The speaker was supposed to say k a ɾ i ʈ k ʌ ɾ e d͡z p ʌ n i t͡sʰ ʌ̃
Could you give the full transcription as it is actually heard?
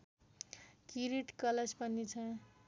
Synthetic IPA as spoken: k i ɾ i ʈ k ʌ l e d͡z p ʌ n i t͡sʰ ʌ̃